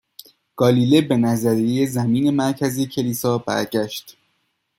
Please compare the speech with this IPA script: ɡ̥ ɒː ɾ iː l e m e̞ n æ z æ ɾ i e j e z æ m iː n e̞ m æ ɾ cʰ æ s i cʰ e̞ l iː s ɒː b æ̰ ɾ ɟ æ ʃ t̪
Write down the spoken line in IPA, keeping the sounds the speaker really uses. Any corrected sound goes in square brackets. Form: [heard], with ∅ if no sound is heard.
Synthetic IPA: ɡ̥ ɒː [l] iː l e [b] e̞ n æ z æ ɾ i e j e z æ m iː n e̞ m æ ɾ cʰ æ [z] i cʰ e̞ l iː s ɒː b æ̰ ɾ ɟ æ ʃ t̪